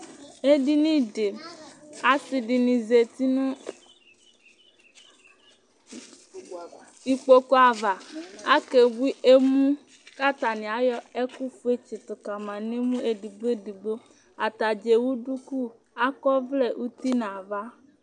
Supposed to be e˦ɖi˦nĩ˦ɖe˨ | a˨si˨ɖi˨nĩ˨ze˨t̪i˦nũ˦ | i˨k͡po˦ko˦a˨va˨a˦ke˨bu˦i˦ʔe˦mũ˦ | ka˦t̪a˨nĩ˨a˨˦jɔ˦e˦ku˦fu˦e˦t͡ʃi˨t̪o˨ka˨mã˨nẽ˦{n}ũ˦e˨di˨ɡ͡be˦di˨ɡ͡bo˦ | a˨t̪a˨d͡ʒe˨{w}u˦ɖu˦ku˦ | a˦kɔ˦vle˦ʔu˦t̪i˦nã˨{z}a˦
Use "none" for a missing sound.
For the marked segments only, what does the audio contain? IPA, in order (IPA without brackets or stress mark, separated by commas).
m, w, v